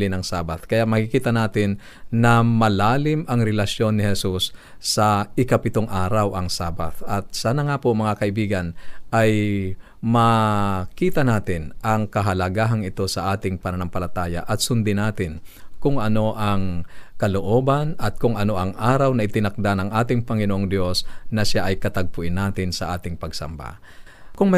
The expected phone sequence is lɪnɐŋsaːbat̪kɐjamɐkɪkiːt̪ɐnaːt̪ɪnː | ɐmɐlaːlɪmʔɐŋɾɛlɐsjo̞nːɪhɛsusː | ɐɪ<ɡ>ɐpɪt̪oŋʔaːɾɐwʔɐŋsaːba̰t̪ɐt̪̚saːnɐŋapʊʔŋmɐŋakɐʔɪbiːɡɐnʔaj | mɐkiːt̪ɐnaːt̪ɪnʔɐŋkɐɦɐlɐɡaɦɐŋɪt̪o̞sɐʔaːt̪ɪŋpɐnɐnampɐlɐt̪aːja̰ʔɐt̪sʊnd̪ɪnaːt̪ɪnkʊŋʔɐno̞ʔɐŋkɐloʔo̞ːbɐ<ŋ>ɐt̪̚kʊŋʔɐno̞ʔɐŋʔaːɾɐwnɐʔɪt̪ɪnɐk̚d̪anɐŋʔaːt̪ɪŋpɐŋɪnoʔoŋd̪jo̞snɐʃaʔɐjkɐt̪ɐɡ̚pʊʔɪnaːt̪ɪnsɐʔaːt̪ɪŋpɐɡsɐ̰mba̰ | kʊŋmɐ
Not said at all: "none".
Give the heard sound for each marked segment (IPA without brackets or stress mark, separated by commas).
k, n